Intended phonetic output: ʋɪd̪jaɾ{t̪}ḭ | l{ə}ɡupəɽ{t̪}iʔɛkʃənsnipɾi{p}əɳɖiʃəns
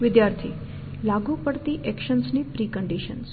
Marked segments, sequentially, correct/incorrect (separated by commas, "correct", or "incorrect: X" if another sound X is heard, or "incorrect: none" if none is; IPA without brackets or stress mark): incorrect: t̪ʰ, incorrect: a, correct, incorrect: k